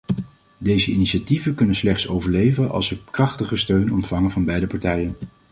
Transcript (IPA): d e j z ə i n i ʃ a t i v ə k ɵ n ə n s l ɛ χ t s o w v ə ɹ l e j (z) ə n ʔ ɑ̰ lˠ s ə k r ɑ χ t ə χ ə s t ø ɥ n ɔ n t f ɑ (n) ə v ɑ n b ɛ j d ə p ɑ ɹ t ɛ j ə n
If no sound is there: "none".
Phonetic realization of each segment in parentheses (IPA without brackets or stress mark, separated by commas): v, ŋ